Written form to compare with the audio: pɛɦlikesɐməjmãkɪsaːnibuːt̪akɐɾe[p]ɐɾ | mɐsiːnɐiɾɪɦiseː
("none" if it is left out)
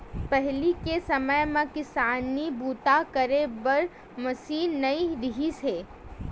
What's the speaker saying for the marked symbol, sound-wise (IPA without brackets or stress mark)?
b